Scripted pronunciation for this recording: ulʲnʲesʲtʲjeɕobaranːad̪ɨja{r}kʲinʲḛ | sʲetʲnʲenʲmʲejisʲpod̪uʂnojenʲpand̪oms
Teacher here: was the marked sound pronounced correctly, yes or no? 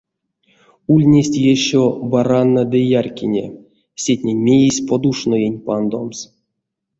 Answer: yes